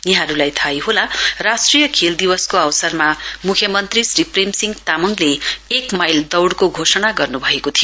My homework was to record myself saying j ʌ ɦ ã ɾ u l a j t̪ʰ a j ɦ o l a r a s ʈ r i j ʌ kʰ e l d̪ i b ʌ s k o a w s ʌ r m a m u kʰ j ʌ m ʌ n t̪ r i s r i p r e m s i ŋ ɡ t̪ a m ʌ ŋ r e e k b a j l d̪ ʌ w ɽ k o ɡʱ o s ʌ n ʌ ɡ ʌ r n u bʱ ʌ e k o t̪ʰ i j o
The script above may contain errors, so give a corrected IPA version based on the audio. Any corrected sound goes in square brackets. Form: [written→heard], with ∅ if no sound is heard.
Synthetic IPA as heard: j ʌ ɦ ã ɾ u l a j t̪ʰ a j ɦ o l a r a s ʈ r i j ʌ kʰ e l d̪ i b ʌ s k o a w s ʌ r m a m u kʰ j ʌ m ʌ n t̪ r i s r i p r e m s i ŋ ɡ t̪ a m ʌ ŋ [r→l] e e k [b→m] a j l d̪ ʌ w ɽ k o ɡʱ o s ʌ n [ʌ→a] ɡ ʌ r n u bʱ ʌ e k o t̪ʰ i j o

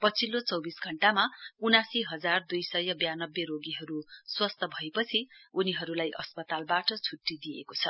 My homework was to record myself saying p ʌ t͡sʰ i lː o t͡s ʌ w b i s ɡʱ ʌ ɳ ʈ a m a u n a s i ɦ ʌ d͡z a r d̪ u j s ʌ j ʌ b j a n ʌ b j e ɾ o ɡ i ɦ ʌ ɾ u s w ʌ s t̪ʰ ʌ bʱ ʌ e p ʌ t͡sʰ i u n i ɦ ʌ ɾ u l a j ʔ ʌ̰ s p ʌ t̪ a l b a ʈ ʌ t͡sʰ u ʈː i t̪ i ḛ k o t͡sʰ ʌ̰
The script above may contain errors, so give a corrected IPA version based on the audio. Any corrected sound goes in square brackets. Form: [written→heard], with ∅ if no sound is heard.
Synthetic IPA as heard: p ʌ t͡sʰ i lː o t͡s ʌ w b i s ɡʱ ʌ ɳ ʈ a m a u n a s i ɦ ʌ d͡z a r d̪ u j s ʌ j ʌ b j a n ʌ b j e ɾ o ɡ i ɦ ʌ ɾ u s w ʌ s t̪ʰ ʌ bʱ ʌ e p ʌ t͡sʰ i u n i ɦ ʌ ɾ u l a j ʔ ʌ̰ s p ʌ t̪ a l b a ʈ ʌ t͡sʰ u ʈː i [t̪→d̪] i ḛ k o t͡sʰ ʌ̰

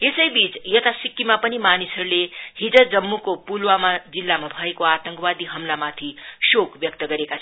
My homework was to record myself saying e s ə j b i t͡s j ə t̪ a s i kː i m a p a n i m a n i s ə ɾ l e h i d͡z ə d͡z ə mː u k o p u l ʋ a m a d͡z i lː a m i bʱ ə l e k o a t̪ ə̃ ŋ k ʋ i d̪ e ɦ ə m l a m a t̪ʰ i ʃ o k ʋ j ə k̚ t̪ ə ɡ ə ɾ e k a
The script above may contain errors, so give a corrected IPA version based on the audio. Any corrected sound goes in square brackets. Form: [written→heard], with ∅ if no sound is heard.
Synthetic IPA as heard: e s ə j b i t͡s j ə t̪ a s i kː i m a p [a→ə] n i m a n i s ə ɾ l e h i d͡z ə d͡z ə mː u k o p u l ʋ a m a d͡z i lː a m [i→a] bʱ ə [l→∅] e k o a t̪ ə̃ ŋ k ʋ [i→a] d̪ [e→i] ɦ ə m l a m a t̪ʰ i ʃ o k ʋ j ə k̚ t̪ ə ɡ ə ɾ e k a

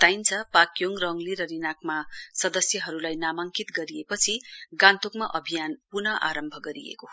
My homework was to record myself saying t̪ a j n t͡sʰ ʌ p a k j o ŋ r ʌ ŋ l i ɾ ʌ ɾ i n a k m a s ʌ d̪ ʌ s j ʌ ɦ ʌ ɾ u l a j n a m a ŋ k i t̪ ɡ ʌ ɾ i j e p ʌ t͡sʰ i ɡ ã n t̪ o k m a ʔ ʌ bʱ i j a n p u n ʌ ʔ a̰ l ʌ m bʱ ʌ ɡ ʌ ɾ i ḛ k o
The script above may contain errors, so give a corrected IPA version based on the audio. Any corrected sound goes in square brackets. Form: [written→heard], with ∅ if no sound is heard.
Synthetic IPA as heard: t̪ a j n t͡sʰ ʌ p a k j o ŋ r ʌ ŋ l i ɾ ʌ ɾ i n a k m a s ʌ d̪ ʌ s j ʌ ɦ ʌ ɾ u l a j n a m a ŋ k i t̪ ɡ ʌ ɾ i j e p ʌ t͡sʰ i ɡ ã n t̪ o k m a ʔ ʌ bʱ i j a n p u n ʌ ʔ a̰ [l→ɾ] ʌ m bʱ ʌ ɡ ʌ ɾ i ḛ k o

